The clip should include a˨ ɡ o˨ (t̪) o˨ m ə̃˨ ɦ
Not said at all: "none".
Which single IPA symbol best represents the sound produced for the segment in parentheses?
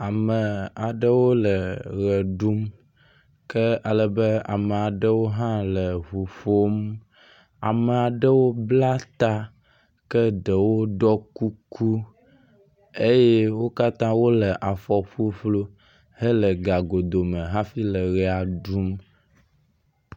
d̪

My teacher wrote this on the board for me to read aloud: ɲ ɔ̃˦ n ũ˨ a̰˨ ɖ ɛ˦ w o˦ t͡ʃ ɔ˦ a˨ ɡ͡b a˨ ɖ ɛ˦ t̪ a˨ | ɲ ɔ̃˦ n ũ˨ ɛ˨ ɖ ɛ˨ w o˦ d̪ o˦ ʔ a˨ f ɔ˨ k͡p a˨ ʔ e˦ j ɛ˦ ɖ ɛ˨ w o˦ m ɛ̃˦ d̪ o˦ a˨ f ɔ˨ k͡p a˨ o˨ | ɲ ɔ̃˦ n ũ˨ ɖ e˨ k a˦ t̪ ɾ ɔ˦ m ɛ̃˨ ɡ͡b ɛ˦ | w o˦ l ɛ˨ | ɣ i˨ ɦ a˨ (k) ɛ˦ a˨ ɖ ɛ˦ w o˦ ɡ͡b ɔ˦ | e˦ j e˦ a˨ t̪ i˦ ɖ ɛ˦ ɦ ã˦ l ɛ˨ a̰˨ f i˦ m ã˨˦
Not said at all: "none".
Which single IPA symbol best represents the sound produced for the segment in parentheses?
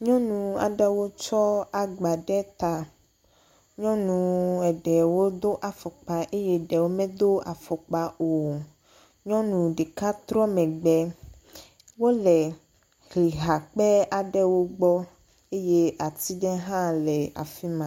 k͡p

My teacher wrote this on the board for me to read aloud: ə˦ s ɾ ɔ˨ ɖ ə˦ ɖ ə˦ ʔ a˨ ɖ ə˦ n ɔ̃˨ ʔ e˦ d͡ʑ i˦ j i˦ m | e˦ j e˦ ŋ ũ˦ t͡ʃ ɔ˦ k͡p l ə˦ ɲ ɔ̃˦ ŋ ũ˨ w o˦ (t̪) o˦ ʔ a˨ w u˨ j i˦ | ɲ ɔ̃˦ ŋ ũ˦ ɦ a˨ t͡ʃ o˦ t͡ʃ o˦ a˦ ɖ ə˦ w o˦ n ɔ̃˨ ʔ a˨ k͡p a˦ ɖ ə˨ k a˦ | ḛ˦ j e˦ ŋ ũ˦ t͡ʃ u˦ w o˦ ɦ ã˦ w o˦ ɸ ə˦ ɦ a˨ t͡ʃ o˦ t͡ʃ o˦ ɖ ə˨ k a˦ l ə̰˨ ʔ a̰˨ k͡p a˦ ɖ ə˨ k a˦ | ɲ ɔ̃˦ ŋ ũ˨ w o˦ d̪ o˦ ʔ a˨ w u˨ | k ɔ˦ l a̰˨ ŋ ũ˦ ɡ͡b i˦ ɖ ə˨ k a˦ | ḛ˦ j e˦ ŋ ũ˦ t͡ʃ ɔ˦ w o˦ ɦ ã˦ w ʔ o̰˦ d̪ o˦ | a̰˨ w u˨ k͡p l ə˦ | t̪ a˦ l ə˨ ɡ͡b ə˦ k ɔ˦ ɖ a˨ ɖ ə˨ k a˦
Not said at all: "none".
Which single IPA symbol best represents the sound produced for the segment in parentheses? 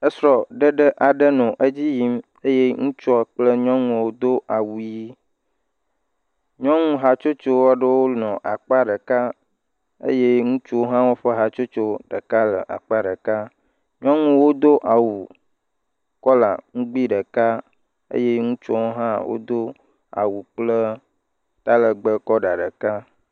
d̪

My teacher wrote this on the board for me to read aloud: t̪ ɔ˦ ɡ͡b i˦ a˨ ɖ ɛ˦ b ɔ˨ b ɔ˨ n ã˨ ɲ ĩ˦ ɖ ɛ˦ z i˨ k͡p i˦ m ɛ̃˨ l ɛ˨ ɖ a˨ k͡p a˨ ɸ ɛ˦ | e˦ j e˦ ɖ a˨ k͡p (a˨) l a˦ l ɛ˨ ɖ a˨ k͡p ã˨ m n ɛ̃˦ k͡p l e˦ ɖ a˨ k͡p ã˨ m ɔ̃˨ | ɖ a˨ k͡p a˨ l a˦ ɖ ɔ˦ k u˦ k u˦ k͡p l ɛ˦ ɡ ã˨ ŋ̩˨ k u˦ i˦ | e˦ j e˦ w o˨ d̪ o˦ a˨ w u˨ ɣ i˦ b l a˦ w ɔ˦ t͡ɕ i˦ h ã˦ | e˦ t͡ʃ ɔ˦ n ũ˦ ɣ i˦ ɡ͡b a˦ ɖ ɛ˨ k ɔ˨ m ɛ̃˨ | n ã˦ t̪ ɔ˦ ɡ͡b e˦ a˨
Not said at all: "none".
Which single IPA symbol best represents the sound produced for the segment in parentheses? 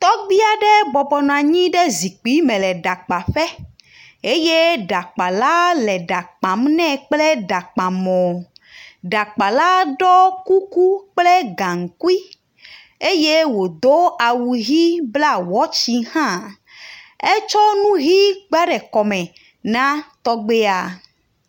a˨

